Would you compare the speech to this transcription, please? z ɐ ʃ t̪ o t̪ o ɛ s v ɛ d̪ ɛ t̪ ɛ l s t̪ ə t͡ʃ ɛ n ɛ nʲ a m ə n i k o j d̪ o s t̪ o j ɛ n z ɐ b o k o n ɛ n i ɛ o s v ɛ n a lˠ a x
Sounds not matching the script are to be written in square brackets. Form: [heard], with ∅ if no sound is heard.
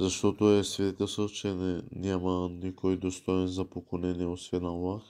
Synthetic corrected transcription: z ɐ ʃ t̪ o t̪ o ɛ s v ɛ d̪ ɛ t̪ ɛ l s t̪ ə t͡ʃ ɛ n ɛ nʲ a m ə n i k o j d̪ o s t̪ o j ɛ n z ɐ [p] o k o n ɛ n i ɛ o s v ɛ n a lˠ a x